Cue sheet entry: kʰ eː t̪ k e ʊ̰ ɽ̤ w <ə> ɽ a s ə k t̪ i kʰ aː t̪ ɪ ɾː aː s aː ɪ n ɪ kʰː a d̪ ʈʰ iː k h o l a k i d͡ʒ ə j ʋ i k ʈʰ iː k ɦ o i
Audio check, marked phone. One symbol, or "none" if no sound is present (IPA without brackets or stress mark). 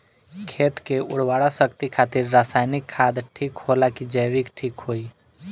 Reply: a